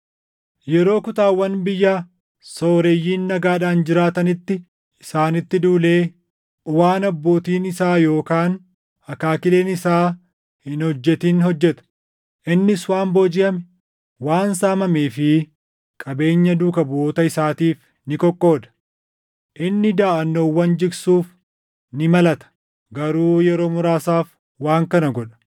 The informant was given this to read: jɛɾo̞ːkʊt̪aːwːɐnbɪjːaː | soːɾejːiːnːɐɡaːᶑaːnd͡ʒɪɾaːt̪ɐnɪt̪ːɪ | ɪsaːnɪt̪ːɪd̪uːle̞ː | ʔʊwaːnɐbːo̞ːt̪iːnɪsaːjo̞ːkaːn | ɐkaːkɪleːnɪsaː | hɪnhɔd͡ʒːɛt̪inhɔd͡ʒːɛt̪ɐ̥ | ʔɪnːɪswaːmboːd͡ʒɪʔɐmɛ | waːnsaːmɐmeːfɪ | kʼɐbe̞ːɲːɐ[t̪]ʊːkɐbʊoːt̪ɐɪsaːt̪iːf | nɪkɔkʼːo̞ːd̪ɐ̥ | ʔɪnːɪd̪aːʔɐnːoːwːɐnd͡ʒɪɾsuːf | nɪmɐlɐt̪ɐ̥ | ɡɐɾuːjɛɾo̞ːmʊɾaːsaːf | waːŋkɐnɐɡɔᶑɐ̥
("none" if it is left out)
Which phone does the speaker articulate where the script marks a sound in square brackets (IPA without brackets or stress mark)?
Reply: d̪